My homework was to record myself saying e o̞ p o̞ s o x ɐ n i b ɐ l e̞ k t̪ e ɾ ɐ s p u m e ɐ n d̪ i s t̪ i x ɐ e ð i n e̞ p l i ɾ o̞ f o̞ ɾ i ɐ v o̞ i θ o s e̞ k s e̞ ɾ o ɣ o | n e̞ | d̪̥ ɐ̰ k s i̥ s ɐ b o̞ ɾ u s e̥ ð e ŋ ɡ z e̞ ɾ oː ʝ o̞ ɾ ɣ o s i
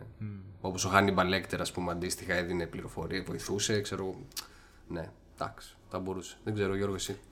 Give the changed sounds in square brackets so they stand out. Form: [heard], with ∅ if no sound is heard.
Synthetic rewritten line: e o̞ p o̞ s o x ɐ n i b ɐ l e̞ k t̪ e ɾ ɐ s p u m e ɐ n d̪ i s t̪ i x ɐ e ð i n e̞ p l i ɾ o̞ f o̞ ɾ i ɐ v o̞ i θ [u] s e̞ k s e̞ ɾ o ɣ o | n e̞ | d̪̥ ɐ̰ k s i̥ [θ] ɐ b o̞ ɾ u s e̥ ð e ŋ ɡ z e̞ ɾ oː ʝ o̞ ɾ ɣ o s i